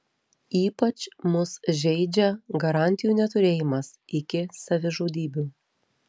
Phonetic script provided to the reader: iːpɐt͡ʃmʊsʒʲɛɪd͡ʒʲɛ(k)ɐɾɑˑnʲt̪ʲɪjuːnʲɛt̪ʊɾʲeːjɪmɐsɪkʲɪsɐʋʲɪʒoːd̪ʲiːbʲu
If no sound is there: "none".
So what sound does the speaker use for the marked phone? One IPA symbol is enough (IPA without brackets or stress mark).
ɡ